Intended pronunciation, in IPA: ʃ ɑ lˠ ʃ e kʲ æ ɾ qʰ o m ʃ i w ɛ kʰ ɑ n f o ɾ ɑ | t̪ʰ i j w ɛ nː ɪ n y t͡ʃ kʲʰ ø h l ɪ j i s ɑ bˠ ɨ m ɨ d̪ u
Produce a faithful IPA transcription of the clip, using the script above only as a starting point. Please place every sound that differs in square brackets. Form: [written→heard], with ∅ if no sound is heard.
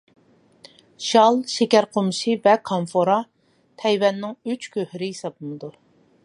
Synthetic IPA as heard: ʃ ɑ lˠ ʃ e kʲ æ ɾ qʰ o m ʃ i [w→v] ɛ kʰ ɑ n f o ɾ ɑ | t̪ʰ [i→ɛ] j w ɛ nː ɪ [n→ŋ] y t͡ʃ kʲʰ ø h [l→ɾ] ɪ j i s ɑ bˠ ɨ m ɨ d̪ u